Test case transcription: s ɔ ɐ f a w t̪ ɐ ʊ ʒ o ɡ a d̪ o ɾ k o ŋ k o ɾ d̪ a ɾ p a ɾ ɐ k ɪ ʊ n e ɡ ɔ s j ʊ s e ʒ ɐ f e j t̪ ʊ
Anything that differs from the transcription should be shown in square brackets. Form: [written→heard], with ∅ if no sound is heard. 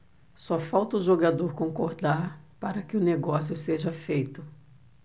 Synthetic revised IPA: s ɔ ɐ f a w t̪ ɐ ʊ ʒ o ɡ a d̪ o ɾ k [o→õ] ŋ k o ɾ d̪ a ɾ p a ɾ ɐ k ɪ ʊ n e ɡ ɔ s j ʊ s e ʒ ɐ f e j t̪ ʊ